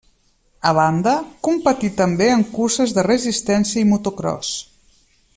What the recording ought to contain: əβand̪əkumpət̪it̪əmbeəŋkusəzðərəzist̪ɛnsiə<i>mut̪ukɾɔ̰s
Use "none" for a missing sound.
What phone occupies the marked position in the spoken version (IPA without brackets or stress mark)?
i